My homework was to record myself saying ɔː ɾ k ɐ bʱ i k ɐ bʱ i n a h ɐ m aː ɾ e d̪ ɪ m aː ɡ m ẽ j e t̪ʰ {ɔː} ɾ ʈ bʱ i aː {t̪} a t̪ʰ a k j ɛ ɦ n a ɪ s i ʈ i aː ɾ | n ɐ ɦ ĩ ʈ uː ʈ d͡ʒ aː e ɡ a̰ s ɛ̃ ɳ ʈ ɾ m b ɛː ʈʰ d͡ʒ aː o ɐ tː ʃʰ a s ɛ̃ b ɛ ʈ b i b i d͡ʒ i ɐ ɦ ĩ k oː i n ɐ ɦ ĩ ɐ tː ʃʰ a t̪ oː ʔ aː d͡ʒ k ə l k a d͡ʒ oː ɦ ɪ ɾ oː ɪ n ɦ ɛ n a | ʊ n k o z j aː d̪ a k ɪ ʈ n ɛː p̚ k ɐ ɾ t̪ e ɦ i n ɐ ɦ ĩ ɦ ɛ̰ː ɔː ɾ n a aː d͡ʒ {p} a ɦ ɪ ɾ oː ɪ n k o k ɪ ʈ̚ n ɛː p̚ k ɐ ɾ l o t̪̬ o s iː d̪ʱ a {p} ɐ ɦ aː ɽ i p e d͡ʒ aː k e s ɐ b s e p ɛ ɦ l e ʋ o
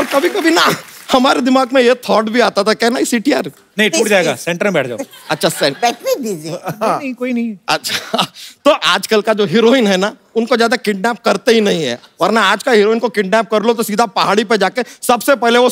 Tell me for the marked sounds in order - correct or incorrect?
correct, correct, incorrect: k, correct

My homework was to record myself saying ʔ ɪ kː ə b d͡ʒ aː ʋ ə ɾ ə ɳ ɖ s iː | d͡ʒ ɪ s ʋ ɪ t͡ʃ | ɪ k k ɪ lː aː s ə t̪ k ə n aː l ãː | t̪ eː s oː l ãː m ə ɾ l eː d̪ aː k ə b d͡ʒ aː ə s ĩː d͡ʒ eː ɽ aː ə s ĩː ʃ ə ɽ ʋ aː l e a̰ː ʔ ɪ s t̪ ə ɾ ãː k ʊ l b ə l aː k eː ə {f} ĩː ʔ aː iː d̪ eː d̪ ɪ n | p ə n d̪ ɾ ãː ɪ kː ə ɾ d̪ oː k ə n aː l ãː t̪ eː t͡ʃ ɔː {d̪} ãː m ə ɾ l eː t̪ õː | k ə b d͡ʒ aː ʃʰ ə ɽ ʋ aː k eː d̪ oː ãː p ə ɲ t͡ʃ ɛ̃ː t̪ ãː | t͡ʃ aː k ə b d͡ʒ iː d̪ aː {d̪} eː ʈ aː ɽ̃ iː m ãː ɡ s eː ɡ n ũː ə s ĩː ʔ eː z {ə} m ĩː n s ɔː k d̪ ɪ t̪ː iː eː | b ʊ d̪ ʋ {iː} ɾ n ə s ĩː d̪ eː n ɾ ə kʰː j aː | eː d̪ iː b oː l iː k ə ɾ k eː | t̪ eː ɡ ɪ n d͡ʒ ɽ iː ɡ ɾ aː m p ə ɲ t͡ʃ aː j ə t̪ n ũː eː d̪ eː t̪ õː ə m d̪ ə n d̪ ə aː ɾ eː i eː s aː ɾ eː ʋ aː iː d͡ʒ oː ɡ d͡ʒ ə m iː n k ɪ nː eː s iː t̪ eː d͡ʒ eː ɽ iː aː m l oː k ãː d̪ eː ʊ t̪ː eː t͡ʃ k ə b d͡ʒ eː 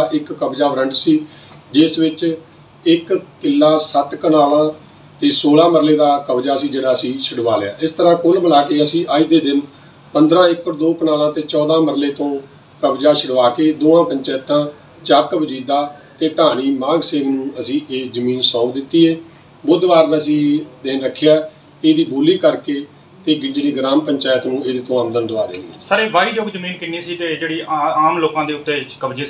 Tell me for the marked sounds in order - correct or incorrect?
incorrect: s, correct, incorrect: t̪, correct, incorrect: aː

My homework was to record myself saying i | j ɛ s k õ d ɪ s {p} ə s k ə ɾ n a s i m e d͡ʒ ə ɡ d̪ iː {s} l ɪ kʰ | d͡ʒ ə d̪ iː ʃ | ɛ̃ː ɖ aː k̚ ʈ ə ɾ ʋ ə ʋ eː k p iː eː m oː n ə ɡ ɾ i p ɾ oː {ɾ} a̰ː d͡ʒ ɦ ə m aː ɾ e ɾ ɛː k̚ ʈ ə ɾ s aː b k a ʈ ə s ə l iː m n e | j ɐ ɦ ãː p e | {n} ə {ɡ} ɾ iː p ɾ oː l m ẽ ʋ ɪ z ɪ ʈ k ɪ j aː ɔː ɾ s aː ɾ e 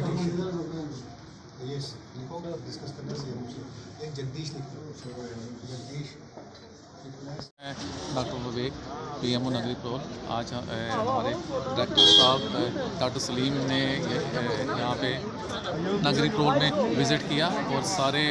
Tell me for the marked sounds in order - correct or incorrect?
incorrect: k, incorrect: ʃ, incorrect: l, correct, correct

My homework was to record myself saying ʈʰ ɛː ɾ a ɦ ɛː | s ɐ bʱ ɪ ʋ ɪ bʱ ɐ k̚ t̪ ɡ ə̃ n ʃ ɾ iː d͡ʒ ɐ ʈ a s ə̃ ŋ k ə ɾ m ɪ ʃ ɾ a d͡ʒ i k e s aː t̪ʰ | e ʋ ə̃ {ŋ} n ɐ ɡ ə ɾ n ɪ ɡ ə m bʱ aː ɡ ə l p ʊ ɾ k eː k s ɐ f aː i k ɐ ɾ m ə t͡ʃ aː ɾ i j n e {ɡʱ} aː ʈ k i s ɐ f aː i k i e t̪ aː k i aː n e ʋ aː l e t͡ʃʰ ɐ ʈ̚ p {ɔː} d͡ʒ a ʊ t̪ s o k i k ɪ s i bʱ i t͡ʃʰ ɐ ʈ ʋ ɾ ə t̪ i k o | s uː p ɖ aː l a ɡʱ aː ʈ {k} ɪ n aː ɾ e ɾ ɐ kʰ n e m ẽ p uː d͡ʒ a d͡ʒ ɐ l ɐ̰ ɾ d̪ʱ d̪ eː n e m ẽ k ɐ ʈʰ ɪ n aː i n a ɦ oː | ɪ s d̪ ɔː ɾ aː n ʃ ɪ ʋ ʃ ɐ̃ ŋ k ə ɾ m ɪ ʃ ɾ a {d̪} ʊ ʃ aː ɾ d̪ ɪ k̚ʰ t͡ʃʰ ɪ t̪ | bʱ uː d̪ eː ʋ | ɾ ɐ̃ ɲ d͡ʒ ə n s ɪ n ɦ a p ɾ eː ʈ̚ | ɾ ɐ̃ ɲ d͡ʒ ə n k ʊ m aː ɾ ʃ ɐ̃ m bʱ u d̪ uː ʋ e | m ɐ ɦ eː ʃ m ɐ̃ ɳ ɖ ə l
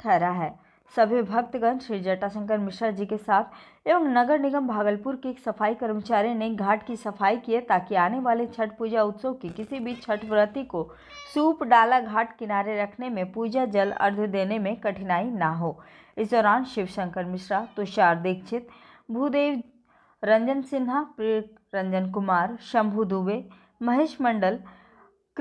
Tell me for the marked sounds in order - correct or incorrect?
correct, correct, incorrect: uː, correct, incorrect: t̪

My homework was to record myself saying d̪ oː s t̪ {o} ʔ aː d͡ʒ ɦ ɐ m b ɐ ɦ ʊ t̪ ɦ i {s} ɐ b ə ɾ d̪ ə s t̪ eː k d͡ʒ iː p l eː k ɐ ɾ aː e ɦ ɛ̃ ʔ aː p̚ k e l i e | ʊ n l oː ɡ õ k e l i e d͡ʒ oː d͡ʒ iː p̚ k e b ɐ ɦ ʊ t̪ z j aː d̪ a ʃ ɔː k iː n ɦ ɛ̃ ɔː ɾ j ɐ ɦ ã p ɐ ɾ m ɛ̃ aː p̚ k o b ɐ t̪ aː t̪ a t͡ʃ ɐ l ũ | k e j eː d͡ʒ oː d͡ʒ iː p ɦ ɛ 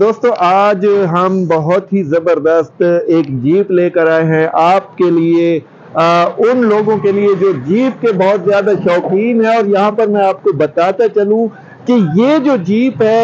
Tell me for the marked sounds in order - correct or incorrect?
incorrect: õ, incorrect: z

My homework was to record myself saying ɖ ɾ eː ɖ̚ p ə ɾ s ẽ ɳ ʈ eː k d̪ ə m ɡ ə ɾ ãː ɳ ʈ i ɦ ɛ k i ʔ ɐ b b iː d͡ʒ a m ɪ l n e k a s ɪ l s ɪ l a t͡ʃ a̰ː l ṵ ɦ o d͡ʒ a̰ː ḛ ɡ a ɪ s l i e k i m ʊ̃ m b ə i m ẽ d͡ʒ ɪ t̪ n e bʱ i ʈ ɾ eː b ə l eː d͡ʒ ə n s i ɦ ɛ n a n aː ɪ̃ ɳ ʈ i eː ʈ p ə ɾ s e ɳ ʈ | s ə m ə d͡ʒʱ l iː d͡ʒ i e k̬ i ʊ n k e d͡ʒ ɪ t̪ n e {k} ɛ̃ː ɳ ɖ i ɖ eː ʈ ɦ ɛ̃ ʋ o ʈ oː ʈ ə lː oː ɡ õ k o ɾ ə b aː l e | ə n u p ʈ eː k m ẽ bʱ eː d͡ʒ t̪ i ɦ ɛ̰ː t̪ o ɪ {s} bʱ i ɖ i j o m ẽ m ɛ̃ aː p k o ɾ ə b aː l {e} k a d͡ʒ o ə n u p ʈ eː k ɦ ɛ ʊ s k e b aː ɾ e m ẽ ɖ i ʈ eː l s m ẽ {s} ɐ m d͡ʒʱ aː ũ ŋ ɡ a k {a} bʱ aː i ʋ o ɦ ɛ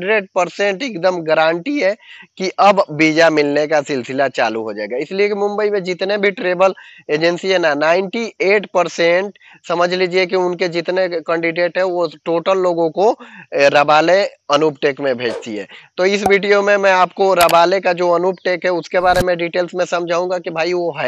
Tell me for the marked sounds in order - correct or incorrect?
correct, correct, correct, correct, incorrect: i

